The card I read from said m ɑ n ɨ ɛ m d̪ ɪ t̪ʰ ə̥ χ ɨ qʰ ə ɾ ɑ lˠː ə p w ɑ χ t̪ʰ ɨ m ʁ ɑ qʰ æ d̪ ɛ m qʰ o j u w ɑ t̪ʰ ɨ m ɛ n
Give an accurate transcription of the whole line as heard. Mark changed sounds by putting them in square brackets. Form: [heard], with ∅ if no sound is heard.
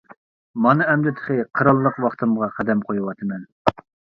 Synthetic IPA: m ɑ n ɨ ɛ m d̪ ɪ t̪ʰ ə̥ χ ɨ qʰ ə ɾ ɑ lˠː ə [q] w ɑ χ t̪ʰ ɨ m ʁ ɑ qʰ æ d̪ ɛ m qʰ o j u w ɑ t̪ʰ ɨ m ɛ n